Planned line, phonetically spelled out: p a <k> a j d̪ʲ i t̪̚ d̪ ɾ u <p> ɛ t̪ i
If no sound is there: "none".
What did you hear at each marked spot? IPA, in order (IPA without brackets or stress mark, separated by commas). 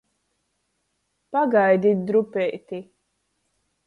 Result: ɡ, p